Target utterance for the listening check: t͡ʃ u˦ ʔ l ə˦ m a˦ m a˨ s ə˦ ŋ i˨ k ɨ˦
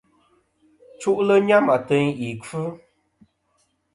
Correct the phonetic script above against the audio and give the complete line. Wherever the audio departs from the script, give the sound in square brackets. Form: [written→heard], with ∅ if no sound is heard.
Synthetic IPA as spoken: t͡ʃ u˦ ʔ l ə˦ [m→ɲ] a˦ m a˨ [s→t] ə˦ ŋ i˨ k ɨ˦